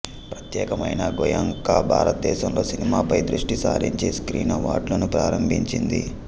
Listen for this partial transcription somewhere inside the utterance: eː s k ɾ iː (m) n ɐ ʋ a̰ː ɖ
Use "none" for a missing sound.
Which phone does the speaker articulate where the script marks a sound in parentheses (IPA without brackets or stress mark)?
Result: none